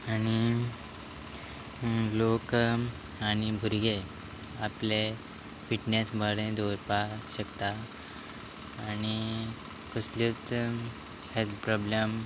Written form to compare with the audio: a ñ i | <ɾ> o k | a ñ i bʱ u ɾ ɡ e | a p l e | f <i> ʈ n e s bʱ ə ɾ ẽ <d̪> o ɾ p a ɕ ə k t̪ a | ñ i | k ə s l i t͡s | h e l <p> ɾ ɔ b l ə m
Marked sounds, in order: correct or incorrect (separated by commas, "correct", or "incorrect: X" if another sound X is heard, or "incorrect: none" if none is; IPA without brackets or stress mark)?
incorrect: l, correct, correct, correct